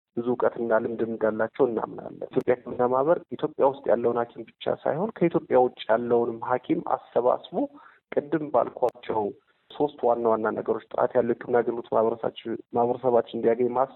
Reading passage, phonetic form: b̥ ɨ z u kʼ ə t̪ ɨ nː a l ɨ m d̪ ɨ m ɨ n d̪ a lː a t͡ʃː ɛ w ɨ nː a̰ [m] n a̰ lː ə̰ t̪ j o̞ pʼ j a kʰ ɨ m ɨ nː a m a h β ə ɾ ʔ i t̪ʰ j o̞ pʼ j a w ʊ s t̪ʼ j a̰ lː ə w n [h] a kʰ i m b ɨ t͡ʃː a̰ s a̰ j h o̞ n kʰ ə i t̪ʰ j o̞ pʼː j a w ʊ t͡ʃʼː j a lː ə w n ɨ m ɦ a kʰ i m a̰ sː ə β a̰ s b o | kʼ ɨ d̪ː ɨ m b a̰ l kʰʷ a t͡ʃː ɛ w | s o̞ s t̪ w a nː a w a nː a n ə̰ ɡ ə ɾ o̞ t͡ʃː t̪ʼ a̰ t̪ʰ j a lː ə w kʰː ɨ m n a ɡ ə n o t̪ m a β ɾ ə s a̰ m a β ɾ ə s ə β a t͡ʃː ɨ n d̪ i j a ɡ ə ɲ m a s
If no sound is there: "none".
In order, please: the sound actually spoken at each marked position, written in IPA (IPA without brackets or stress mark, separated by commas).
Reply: m, h